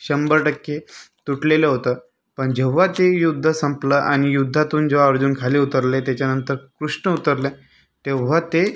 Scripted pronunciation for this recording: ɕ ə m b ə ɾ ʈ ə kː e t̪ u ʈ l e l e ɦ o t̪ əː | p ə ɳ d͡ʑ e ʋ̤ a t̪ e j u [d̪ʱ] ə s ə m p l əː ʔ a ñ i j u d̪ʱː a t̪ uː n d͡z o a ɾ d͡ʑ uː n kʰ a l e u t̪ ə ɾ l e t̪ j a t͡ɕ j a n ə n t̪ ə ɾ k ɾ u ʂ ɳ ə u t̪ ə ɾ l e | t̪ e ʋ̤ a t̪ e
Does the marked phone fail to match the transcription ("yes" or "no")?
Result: yes